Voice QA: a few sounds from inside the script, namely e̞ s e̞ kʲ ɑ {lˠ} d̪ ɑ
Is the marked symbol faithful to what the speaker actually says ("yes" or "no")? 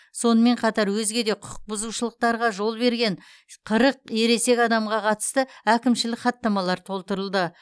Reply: no